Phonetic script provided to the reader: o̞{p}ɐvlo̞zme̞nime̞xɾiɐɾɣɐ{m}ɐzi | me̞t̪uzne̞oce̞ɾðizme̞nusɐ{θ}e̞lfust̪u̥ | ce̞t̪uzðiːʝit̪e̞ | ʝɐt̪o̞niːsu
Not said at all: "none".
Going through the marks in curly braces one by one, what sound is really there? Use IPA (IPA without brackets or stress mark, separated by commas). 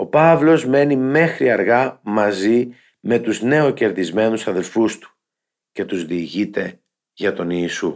p, m, ð